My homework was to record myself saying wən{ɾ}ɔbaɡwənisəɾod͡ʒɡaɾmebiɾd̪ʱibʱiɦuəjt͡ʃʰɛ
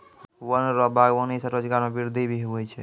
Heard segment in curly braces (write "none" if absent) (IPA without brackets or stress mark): ɾ